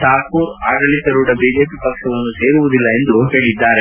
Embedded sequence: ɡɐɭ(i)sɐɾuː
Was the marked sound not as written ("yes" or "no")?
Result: no